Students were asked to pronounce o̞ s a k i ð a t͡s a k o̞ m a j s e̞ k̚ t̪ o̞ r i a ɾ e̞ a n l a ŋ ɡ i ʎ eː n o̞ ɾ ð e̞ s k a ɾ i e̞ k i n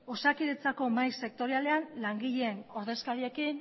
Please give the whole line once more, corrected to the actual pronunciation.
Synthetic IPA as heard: o̞ s a k i ð e t͡s a k o̞ m a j s e̞ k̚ t̪ o̞ ɾ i a l e̞ a n l a ŋ ɡ i ʎ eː n o̞ ɾ ð e̞ s k a ɾ i e̞ k i n